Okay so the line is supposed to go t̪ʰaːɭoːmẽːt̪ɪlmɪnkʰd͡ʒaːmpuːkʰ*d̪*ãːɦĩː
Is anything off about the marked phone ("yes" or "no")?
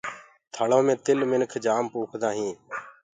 no